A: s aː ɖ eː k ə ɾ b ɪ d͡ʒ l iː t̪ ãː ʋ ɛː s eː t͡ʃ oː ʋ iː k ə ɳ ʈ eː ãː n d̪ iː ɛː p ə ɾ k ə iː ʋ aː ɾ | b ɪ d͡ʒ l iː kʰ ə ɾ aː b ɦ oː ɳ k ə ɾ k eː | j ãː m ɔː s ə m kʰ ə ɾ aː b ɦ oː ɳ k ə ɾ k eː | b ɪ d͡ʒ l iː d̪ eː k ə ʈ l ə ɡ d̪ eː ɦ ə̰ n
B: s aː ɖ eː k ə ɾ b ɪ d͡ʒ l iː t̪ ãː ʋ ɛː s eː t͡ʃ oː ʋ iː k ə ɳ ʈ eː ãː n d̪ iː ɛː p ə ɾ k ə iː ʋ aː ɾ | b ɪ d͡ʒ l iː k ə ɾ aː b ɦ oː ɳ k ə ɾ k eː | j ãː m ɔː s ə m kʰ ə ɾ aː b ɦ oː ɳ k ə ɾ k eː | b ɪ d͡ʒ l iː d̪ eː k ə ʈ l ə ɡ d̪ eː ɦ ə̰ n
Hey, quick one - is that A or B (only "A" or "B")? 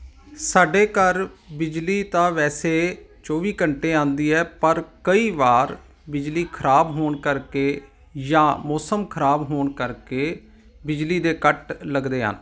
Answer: A